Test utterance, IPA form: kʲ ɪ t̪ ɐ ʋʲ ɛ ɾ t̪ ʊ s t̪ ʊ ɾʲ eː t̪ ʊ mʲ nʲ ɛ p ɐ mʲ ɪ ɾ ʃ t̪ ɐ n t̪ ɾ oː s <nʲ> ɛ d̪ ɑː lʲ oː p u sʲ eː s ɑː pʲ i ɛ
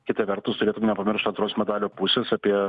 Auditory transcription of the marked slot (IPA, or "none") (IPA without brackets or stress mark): mʲ